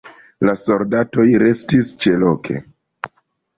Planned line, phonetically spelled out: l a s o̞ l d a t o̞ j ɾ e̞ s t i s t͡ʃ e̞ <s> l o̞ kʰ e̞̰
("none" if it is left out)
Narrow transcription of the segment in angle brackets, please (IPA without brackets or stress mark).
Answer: none